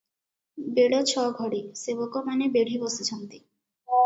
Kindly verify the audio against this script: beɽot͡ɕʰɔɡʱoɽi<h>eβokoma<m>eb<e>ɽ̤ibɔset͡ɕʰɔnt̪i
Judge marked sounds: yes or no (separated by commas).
no, no, yes